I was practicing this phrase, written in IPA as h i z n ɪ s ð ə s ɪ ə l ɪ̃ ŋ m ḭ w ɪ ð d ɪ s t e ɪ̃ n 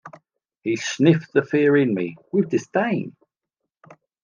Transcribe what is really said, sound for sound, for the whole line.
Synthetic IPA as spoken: h i s n ɪ f ð ə f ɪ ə ɹ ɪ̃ n m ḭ w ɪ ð d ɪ s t ẽ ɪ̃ n